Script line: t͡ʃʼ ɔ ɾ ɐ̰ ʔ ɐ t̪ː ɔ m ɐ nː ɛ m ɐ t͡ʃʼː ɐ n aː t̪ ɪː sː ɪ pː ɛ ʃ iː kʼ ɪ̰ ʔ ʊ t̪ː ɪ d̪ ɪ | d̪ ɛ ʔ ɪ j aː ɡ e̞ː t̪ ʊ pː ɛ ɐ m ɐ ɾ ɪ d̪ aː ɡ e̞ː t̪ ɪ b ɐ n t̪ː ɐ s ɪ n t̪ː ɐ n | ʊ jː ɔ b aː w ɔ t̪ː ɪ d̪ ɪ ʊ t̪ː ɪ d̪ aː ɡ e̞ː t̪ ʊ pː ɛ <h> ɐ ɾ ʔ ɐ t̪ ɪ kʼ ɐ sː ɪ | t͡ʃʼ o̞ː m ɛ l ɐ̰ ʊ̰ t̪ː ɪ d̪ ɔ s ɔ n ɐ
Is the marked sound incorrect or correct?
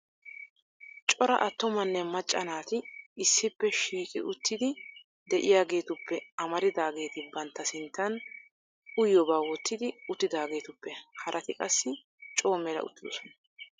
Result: correct